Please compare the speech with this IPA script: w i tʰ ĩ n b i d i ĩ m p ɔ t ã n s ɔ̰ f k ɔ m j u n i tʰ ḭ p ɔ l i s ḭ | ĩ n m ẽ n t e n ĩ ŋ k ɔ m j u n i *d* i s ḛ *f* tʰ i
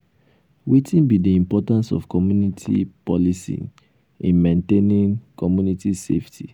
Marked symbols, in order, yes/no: no, yes

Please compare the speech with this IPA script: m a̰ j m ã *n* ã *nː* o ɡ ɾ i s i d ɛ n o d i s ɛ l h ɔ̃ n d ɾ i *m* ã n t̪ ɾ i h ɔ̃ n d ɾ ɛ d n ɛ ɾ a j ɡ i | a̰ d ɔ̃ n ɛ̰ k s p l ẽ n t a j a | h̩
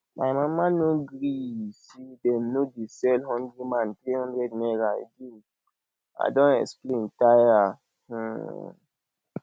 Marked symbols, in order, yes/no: no, no, yes

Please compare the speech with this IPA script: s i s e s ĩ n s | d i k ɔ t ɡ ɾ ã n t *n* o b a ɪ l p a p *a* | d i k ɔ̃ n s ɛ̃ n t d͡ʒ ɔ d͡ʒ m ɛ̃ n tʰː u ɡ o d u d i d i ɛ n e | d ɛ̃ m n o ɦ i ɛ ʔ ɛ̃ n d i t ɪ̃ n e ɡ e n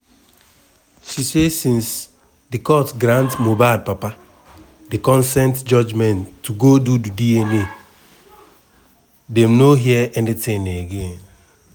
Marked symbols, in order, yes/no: no, yes

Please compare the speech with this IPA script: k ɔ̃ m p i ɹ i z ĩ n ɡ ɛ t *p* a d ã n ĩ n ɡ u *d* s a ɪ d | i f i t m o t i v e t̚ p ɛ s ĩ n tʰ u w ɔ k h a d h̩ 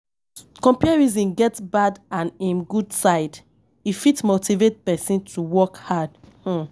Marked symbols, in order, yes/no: no, yes

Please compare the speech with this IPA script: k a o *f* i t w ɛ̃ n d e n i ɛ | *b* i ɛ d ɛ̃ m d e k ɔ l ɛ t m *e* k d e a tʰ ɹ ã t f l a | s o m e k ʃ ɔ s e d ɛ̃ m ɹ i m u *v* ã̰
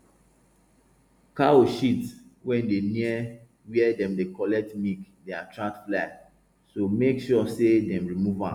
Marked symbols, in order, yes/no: no, no, no, yes

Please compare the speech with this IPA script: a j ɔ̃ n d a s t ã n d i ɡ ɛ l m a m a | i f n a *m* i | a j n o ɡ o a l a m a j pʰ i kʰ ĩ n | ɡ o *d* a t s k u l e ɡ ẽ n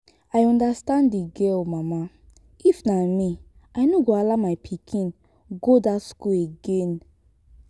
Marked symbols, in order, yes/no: yes, yes

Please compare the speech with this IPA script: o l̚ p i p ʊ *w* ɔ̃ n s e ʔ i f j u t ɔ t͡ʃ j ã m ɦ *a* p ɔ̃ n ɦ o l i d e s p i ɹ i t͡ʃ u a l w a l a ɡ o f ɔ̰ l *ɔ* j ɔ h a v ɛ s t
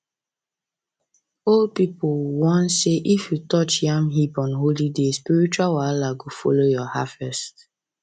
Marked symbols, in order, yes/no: yes, no, no

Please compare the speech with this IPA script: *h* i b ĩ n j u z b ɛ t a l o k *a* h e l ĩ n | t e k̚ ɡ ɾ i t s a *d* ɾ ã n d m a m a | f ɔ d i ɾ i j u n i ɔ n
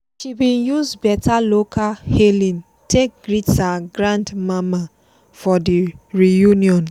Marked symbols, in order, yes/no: no, yes, no

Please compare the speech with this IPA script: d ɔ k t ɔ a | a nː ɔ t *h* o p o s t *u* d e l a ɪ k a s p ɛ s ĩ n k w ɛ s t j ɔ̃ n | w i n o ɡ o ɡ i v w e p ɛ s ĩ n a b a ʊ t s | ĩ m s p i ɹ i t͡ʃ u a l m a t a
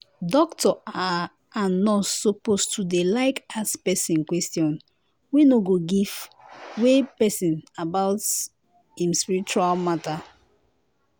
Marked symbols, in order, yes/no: no, yes

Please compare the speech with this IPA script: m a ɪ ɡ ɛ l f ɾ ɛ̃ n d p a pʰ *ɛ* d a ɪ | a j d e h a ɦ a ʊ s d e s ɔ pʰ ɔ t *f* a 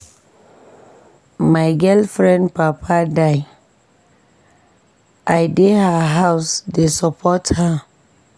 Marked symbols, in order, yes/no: no, no

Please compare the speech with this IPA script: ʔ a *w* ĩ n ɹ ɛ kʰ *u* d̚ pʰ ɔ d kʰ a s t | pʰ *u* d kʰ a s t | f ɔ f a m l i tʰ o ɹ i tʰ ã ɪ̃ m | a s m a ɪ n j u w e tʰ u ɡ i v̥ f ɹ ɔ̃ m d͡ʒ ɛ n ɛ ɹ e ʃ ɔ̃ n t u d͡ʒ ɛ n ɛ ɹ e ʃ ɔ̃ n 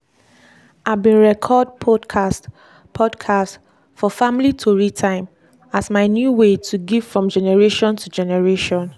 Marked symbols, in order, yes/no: no, no, no

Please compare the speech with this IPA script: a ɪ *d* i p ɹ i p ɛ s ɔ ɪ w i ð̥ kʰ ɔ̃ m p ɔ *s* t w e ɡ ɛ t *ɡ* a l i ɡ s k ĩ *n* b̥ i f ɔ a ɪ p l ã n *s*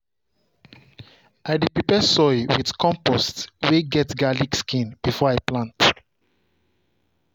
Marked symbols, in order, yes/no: yes, yes, yes, yes, no

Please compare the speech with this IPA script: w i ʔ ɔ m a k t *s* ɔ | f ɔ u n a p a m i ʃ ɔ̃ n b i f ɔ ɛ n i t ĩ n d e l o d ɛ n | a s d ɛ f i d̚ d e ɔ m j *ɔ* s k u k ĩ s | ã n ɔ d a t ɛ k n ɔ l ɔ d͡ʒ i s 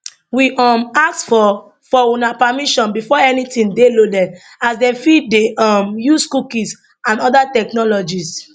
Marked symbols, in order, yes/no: no, no

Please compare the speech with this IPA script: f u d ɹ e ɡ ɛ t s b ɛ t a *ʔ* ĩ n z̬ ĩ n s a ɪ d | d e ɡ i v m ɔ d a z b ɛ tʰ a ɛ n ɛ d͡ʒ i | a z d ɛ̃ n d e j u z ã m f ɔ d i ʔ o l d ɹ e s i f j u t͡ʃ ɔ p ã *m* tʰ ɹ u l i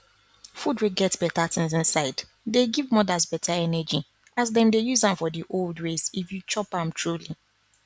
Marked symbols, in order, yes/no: no, yes

